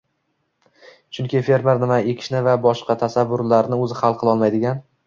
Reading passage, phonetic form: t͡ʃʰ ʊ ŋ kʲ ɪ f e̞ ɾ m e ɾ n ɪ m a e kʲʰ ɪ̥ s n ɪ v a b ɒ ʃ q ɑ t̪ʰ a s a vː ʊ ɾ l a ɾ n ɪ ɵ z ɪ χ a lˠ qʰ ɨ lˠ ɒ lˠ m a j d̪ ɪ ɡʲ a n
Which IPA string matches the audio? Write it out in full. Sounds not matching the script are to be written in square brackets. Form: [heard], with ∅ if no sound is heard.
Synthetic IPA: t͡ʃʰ ʊ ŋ kʲ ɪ f e̞ ɾ m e ɾ n ɪ m a e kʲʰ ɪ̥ [ʃ] n ɪ v a b ɒ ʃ q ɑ t̪ʰ a s a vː ʊ ɾ l a ɾ n ɪ ɵ z ɪ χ a lˠ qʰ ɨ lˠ ɒ lˠ m a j d̪ ɪ ɡʲ a n

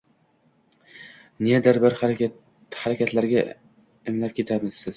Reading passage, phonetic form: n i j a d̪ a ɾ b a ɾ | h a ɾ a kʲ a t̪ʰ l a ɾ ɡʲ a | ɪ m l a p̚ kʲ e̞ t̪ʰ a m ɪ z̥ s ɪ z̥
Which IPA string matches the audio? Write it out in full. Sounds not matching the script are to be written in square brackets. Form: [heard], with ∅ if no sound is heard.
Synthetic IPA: n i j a d̪ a ɾ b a ɾ | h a ɾ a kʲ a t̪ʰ l a ɾ ɡʲ a | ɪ m l a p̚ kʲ e̞ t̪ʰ a m ɪ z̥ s ɪ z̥

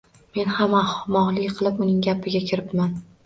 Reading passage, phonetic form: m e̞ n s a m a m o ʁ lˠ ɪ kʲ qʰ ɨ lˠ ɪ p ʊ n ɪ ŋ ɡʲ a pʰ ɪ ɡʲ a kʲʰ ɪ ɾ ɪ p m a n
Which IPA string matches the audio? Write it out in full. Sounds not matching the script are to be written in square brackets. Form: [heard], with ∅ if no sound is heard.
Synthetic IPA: m e̞ n [h] a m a m [ɒ] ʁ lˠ ɪ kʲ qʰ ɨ lˠ ɪ p ʊ n ɪ ŋ ɡʲ a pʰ ɪ ɡʲ a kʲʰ ɪ ɾ ɪ p m a n

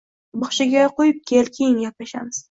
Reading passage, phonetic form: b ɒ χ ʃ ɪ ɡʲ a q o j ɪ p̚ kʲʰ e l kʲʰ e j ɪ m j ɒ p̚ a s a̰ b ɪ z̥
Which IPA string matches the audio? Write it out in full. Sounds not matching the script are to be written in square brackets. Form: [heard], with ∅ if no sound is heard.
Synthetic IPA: b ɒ χ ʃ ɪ ɡʲ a q o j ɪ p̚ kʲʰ e l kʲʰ e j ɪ [ŋ] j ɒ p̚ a [ʃ] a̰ [m] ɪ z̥

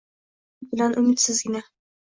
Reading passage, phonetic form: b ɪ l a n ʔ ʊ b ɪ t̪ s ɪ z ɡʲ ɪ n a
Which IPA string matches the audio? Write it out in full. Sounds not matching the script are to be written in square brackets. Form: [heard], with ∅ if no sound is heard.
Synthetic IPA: b ɪ l a n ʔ ʊ [m] ɪ t̪ s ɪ z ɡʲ ɪ n a

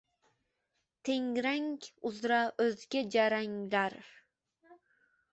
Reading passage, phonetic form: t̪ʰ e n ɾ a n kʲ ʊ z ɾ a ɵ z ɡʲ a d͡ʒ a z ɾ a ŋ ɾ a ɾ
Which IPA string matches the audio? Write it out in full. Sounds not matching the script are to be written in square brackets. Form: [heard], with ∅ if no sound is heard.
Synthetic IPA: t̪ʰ e [ŋ] ɾ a [ŋ] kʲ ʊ z ɾ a ɵ z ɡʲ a d͡ʒ a [∅] ɾ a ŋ [l] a ɾ

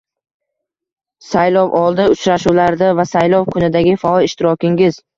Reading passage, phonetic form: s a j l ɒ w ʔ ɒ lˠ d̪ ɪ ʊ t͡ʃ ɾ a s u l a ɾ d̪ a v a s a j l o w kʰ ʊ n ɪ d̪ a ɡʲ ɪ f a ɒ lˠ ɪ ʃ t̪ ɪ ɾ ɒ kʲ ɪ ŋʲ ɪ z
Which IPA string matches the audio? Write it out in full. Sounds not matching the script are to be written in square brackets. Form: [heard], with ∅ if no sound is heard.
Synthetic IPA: s a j l ɒ w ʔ ɒ lˠ d̪ ɪ ʊ t͡ʃ ɾ a [ʃ] u l a ɾ d̪ a v a s a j l [ɒ] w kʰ ʊ n ɪ d̪ a ɡʲ ɪ f a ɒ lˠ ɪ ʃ t̪ ɪ ɾ ɒ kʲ ɪ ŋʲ ɪ z

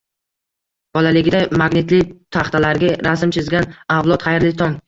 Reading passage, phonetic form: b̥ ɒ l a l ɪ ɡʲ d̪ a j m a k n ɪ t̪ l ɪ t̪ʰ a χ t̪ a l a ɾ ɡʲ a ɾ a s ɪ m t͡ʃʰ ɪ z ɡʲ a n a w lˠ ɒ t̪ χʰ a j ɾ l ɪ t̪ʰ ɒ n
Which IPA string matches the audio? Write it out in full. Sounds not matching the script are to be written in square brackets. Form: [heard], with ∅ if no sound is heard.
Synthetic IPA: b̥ ɒ l a l ɪ ɡʲ d̪ a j m a [ɡ] n ɪ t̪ l ɪ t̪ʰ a χ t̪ a l a ɾ ɡʲ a ɾ a s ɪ m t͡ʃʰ ɪ z ɡʲ a n a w lˠ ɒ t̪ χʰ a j ɾ l ɪ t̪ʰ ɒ [ŋ]

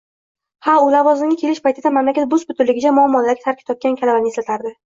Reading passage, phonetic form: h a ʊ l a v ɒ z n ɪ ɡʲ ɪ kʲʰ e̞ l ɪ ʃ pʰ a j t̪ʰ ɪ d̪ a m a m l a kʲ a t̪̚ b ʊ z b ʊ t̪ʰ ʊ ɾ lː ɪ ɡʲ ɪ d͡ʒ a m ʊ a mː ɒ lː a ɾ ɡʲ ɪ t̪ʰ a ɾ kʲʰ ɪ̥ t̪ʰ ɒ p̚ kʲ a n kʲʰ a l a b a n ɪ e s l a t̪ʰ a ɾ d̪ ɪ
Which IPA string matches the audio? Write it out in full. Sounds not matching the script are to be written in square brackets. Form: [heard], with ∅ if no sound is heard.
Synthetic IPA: h a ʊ l a v ɒ z n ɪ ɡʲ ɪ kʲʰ e̞ l ɪ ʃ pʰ a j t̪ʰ ɪ d̪ a m a m l a kʲ a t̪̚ b ʊ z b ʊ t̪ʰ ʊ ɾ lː ɪ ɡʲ ɪ d͡ʒ a m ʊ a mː ɒ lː a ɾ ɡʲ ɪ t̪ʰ a ɾ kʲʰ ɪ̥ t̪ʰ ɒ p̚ kʲ a n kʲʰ a l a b a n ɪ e s l a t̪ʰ a ɾ d̪ ɪ

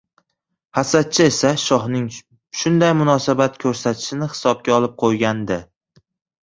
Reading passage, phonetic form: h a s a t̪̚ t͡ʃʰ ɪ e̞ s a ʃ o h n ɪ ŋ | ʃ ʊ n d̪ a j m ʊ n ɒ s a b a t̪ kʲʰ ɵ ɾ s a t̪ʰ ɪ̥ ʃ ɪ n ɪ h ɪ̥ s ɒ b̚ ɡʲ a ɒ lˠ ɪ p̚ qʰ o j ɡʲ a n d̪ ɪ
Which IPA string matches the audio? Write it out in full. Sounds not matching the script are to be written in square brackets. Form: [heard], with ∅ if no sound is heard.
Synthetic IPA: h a s a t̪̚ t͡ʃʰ ɪ e̞ s a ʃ [ɒ] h n ɪ ŋ | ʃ ʊ n d̪ a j m ʊ n ɒ s a b a t̪ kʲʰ ɵ ɾ s a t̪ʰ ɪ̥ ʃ ɪ n ɪ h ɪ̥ s ɒ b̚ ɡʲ a ɒ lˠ ɪ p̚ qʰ o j ɡʲ a n d̪ ɪ

